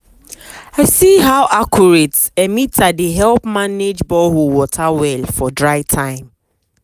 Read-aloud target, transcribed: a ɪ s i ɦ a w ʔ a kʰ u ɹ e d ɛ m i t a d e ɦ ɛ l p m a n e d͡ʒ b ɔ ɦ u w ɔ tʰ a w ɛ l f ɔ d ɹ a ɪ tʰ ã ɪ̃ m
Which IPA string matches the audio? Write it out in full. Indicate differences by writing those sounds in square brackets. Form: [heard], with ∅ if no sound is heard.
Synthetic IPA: a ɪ s i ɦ a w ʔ a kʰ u ɹ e [t] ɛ m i t a d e ɦ ɛ l p m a n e d͡ʒ b ɔ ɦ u w ɔ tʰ a w ɛ l f ɔ d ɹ a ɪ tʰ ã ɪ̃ m